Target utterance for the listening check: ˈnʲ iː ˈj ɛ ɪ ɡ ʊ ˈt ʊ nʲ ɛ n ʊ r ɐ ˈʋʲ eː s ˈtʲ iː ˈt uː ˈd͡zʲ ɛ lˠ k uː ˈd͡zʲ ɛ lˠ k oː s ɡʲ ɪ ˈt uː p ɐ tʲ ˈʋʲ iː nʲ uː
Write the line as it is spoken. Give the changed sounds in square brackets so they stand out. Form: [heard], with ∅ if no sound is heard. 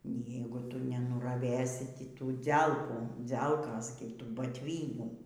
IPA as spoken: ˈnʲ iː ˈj ɛ ɪ ɡ ʊ ˈt ʊ nʲ ɛ n ʊ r ɐ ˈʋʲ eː s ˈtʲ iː ˈt uː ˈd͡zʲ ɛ lˠ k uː ˈd͡zʲ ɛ lˠ k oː s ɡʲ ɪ ˈt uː [b] ɐ tʲ ˈʋʲ iː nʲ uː